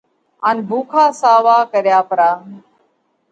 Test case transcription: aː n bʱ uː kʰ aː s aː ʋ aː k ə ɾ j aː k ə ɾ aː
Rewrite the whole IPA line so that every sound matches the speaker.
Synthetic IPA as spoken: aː n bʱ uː kʰ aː s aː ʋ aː k ə ɾ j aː p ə ɾ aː